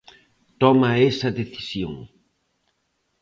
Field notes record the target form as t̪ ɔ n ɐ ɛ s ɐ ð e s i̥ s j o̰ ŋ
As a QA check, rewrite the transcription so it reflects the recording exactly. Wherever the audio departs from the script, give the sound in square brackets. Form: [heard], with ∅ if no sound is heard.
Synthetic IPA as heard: t̪ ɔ [m] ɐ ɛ s ɐ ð e [θ] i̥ s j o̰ ŋ